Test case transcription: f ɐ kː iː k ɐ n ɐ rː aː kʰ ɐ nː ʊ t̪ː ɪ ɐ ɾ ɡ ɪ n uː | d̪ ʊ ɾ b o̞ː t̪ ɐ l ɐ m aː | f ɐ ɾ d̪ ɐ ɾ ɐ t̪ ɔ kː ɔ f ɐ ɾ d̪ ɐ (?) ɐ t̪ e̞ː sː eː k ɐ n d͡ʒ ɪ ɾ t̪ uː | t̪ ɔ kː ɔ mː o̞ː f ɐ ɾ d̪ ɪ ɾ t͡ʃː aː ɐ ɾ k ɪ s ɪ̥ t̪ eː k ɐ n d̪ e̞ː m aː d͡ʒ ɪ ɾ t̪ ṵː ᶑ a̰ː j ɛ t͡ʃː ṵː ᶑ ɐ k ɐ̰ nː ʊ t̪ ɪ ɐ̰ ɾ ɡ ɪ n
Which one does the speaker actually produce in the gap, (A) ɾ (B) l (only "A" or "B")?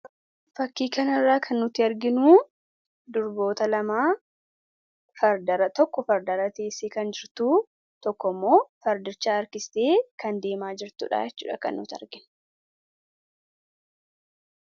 A